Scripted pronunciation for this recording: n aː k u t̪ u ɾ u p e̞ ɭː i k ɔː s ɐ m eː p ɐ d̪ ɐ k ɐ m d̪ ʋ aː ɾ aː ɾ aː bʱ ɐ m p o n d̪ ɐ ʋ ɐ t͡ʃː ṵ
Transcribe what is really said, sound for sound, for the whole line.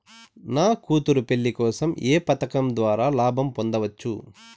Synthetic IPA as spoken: n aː k uː t̪ u ɾ u p e̞ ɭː i k ɔː s ɐ m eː p ɐ t̪ ɐ k ɐ m d̪ ʋ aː ɾ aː l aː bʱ ɐ m p o n d̪ ɐ ʋ ɐ t͡ʃː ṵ